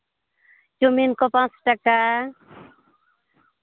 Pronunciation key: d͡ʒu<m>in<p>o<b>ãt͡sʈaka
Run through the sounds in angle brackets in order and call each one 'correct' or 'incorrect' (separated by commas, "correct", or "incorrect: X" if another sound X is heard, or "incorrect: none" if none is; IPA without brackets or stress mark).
correct, incorrect: k, incorrect: p